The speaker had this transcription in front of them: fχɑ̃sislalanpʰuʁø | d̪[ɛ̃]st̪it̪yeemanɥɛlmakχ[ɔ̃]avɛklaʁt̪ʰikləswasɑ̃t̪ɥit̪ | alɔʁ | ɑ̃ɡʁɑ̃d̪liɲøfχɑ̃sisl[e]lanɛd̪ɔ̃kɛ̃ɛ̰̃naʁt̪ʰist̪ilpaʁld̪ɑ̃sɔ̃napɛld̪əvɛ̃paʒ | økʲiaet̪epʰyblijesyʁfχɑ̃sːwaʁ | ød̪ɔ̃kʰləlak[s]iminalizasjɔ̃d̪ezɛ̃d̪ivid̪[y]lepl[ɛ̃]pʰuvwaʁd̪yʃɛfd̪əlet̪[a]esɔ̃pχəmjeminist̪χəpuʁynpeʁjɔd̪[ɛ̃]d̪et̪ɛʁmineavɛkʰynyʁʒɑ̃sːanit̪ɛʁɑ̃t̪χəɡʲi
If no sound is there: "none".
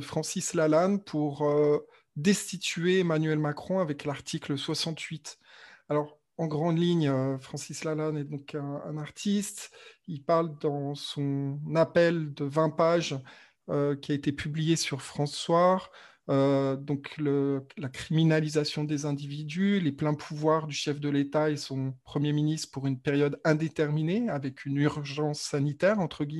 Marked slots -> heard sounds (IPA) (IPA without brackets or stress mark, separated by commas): ɛ, ɔ̃, a, χ, y, ɛ̃, a, ɛ̃